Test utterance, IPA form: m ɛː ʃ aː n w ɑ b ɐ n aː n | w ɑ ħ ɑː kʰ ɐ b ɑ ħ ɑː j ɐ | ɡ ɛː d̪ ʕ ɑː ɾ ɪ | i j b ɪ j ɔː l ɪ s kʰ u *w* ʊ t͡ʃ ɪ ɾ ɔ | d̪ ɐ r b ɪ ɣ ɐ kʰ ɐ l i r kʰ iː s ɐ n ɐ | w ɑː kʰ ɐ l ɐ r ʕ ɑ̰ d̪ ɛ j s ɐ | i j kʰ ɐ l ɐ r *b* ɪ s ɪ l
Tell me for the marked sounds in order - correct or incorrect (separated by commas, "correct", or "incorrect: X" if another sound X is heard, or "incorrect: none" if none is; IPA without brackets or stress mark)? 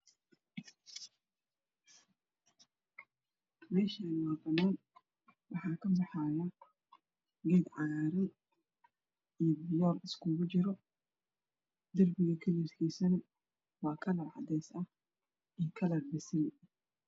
incorrect: ɣ, correct